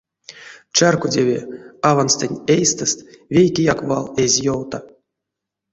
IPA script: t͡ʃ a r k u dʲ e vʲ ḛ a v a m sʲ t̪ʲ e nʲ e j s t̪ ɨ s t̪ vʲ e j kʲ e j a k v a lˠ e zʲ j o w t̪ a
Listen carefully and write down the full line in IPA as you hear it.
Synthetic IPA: t͡ʃ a r k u dʲ e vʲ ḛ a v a n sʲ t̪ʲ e nʲ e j s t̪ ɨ s t̪ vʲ e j kʲ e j a k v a lˠ e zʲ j o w t̪ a